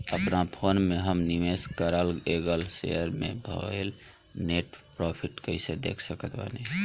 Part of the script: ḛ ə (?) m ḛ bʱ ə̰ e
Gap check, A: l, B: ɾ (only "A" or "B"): B